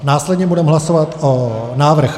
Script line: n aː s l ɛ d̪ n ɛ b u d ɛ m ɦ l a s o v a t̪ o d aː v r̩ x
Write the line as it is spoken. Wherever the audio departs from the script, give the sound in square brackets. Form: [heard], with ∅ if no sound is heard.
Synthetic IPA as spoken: n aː s l ɛ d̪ [ɲ] ɛ b u d ɛ m ɦ l a s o v a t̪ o [n] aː v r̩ x

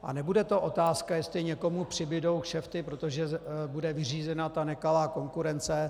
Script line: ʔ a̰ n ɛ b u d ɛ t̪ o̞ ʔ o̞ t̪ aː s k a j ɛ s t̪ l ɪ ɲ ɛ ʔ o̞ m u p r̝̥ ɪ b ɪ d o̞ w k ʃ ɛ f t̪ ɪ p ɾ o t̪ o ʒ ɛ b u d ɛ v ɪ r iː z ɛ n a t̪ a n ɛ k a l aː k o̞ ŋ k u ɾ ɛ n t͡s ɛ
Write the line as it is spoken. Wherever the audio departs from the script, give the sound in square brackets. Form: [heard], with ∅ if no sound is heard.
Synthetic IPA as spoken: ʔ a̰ n ɛ b u d ɛ t̪ o̞ ʔ o̞ t̪ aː s k a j ɛ s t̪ l ɪ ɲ ɛ [k] o̞ m u p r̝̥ ɪ b ɪ d o̞ w k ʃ ɛ f t̪ ɪ p ɾ o t̪ o ʒ ɛ b u d ɛ v ɪ r iː z ɛ n a t̪ a n ɛ k a l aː k o̞ ŋ k u ɾ ɛ n t͡s ɛ

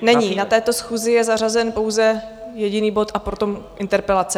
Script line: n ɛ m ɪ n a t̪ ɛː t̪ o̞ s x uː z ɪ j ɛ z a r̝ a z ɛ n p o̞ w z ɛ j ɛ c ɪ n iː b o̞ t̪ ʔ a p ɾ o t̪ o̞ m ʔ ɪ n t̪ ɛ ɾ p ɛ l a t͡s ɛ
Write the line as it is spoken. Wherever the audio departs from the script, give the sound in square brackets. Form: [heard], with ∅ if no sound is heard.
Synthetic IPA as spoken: n ɛ [ɲ] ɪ n a t̪ ɛː t̪ o̞ s x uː z ɪ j ɛ z a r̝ a z ɛ n p o̞ w z ɛ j ɛ [ɟ] ɪ n iː b o̞ t̪ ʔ a p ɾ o t̪ o̞ m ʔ ɪ n t̪ ɛ ɾ p ɛ l a t͡s ɛ

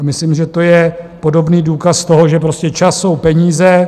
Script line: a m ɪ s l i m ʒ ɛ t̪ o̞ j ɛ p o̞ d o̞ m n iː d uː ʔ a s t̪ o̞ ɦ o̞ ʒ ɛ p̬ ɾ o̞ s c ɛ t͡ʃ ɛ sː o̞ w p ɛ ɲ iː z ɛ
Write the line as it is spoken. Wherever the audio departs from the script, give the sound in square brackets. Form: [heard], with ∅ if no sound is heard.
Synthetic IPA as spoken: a m ɪ s l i m ʒ ɛ t̪ o̞ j ɛ p o̞ d o̞ [b] n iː d uː [k] a s t̪ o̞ ɦ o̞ ʒ ɛ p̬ ɾ o̞ s c ɛ t͡ʃ [a] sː o̞ w p ɛ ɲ iː z ɛ

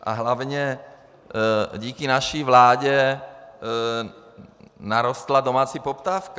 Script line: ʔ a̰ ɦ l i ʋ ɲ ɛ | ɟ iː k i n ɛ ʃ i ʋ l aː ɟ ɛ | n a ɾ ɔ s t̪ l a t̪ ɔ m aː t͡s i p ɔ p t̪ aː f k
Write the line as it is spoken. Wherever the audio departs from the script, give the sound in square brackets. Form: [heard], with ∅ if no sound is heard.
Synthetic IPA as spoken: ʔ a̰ ɦ l [a] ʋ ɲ ɛ | ɟ iː k i n [a] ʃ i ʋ l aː ɟ ɛ | n a ɾ ɔ s t̪ l a [d̪] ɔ m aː t͡s i p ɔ p t̪ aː f k

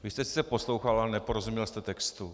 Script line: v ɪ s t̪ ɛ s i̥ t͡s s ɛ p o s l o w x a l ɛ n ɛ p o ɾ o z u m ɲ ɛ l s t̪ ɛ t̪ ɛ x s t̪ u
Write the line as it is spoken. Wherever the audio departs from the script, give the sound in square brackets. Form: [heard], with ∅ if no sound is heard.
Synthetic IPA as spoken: v ɪ s t̪ ɛ s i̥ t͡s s ɛ p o s l o w x a l [a] n ɛ p o ɾ o z u m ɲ ɛ l s t̪ ɛ t̪ ɛ [k] s t̪ u

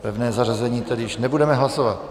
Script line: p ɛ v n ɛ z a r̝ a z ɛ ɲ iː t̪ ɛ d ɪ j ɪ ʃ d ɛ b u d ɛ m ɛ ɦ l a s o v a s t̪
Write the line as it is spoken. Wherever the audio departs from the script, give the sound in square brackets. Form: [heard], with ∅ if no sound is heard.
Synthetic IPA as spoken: p ɛ v n [ɛː] z a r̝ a z ɛ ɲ iː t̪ ɛ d ɪ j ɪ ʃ [n] ɛ b u d ɛ m ɛ ɦ l a s o v a [∅] t̪

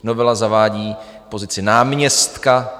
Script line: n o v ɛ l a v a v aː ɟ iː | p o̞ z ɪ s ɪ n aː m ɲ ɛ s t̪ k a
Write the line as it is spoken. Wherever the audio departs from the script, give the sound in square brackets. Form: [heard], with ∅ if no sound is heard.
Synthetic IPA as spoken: n o v ɛ l a [z] a v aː ɟ iː | p o̞ z ɪ [t͡s] ɪ n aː m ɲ ɛ s t̪ k a

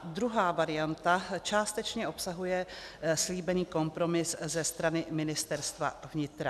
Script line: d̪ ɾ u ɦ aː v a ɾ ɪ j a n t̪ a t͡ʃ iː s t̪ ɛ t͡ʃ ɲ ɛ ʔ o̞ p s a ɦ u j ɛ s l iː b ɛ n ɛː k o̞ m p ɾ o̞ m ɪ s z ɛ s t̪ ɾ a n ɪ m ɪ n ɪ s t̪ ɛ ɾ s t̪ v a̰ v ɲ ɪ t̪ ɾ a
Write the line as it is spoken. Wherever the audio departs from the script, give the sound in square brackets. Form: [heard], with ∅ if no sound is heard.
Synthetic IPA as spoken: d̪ ɾ u ɦ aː v a ɾ ɪ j a n t̪ a t͡ʃ [aː] s t̪ ɛ t͡ʃ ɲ ɛ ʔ o̞ p s a ɦ u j ɛ s l iː b ɛ n [iː] k o̞ m p ɾ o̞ m ɪ s z ɛ s t̪ ɾ a n ɪ m ɪ n ɪ s t̪ ɛ ɾ s t̪ v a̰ v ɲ ɪ t̪ ɾ a

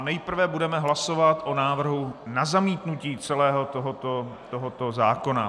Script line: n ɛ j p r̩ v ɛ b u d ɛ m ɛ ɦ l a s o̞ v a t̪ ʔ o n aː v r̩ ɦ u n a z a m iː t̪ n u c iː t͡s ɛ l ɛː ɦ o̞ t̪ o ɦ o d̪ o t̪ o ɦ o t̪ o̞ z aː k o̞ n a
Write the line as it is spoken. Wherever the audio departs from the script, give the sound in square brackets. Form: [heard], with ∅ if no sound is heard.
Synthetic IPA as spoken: n ɛ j p r̩ v ɛ b u d ɛ m ɛ ɦ l a s o̞ v a t̪ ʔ o n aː v r̩ ɦ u n a z a m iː t̪ n u c iː t͡s ɛ l ɛː ɦ o̞ t̪ o ɦ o [t̪] o t̪ o ɦ o t̪ o̞ z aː k o̞ n a

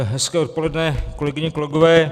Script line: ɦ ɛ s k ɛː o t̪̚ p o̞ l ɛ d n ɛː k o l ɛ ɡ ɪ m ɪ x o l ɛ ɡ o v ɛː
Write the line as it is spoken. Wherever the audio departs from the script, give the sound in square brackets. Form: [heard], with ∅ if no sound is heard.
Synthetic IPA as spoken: ɦ ɛ s k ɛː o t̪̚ p o̞ l ɛ d n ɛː k o l ɛ ɡ ɪ [ɲ] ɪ [k] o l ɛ ɡ o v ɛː

